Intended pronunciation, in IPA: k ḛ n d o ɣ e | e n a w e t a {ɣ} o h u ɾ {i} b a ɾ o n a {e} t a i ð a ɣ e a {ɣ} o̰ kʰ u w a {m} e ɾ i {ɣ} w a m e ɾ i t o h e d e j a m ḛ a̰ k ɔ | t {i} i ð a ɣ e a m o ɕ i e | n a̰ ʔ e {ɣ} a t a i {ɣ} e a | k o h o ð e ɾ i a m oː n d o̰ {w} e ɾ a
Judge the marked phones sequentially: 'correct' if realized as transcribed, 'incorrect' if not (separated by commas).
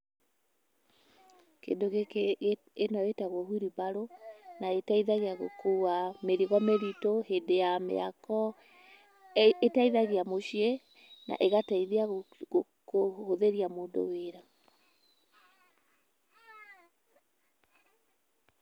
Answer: correct, correct, correct, correct, correct, correct, incorrect, correct, incorrect, correct